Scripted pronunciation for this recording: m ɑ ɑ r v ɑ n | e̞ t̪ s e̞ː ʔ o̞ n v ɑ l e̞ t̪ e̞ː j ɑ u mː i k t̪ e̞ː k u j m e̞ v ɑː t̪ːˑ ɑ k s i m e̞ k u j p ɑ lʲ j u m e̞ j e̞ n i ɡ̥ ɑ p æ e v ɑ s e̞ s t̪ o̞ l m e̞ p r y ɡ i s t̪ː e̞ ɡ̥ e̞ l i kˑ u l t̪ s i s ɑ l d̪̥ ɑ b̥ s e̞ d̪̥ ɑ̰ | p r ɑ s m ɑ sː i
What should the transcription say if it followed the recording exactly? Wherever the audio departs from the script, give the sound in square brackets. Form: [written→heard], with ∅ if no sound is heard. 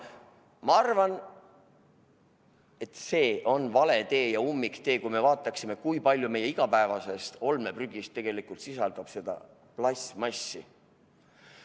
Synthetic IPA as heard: m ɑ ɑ r v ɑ n | e̞ t̪ s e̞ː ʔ o̞ n v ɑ l e̞ t̪ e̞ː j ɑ u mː i k t̪ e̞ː k u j m e̞ v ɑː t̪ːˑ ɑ k s i m e̞ k u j p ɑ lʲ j u m e̞ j e̞ [n→∅] i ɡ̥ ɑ p æ e v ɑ s e̞ s t̪ o̞ l m e̞ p r y ɡ i s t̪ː e̞ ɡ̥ e̞ l i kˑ u l t̪ s i s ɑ l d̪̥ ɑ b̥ s e̞ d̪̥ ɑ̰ | p [r→l] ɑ s m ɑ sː i